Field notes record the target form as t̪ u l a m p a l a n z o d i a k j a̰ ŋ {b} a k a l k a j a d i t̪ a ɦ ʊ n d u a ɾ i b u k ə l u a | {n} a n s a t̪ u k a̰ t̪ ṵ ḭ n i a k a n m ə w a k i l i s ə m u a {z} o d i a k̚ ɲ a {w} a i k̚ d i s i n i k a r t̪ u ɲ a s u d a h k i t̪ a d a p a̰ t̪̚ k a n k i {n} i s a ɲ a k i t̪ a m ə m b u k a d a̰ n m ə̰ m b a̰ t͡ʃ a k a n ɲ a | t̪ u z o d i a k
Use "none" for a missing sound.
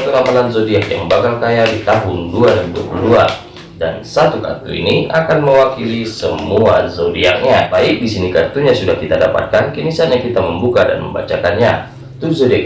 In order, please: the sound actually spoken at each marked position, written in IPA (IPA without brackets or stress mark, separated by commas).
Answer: b, d, z, b, n